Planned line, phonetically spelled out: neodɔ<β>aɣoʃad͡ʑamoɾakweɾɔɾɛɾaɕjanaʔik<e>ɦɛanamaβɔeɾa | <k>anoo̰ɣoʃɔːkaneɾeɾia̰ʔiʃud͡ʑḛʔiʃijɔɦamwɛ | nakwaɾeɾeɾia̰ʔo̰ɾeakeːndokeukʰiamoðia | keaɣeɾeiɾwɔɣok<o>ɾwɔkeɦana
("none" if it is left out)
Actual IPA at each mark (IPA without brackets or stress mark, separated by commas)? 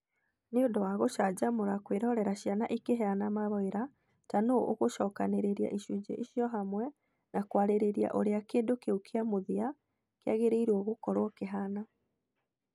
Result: w, e, t, ɔ